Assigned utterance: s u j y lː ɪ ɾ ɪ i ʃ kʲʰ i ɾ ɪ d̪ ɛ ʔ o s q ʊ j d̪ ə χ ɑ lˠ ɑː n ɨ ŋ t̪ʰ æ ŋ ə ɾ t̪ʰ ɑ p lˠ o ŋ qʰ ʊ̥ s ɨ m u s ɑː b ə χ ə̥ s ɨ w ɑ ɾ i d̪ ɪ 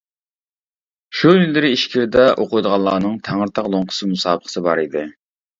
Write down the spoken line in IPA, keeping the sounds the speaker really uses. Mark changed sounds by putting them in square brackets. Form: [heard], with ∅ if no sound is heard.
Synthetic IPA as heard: [ʃ] u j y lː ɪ ɾ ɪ i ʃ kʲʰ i ɾ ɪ d̪ ɛ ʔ o [∅] q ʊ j d̪ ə [ʁ] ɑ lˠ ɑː n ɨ ŋ t̪ʰ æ ŋ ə ɾ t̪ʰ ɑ [q] lˠ o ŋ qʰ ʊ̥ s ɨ m u s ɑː b ə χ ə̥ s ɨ [b] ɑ ɾ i d̪ ɪ